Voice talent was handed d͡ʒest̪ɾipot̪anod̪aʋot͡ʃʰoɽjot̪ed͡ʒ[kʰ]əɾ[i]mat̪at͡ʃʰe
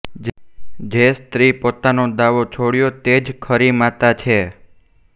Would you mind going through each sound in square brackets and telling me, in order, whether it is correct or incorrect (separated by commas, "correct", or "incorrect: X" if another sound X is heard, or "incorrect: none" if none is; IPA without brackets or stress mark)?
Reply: correct, correct